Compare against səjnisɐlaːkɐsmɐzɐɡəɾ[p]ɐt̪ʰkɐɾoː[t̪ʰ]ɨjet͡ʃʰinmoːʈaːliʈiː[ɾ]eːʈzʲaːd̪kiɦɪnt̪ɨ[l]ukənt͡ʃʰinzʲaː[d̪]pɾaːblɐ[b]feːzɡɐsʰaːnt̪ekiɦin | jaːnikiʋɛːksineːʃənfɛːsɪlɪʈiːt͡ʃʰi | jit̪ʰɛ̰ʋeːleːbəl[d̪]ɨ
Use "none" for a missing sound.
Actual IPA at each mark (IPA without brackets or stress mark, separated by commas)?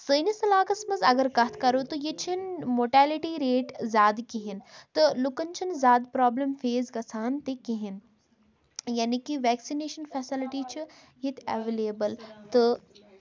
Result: k, t̪, ɾ, l, d̪, m, t̪